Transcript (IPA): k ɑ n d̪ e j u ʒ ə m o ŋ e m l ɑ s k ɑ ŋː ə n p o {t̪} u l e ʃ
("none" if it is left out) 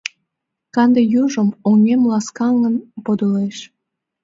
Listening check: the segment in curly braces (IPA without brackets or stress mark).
d̪